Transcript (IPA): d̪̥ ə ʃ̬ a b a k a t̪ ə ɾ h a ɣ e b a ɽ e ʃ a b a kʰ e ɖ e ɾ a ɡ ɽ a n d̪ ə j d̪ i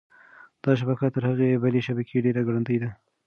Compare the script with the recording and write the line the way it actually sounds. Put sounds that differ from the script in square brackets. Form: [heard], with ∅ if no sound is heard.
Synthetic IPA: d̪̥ [ɑ] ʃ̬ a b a k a t̪ ə ɾ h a ɣ e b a [l] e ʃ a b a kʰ e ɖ e ɾ a ɡ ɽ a n d̪ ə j d̪ [a]